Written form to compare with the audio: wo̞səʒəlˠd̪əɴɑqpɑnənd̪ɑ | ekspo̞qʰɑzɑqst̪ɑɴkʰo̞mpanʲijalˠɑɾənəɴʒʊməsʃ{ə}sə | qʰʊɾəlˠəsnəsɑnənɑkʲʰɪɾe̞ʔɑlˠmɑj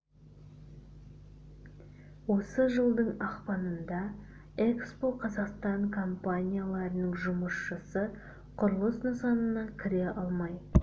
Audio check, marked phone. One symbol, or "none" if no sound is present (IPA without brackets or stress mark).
ə